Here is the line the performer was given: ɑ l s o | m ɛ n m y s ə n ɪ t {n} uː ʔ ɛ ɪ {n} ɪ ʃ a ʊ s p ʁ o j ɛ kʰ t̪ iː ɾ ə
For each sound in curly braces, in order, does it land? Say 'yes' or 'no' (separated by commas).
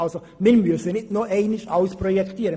yes, yes